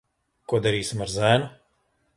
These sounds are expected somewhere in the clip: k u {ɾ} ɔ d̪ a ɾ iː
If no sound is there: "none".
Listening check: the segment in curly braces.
none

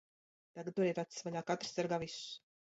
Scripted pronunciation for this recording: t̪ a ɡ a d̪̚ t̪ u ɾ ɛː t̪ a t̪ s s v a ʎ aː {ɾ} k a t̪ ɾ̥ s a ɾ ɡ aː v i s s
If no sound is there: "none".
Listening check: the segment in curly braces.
none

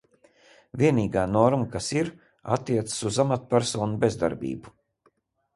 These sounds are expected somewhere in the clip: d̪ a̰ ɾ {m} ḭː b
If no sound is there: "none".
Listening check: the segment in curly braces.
b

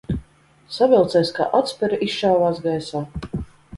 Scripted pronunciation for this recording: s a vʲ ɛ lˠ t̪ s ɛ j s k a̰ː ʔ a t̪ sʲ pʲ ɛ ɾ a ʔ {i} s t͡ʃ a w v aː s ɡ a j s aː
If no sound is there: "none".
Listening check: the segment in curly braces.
i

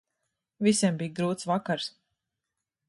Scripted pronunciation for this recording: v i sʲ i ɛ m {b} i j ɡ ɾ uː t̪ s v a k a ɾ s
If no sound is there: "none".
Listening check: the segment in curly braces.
b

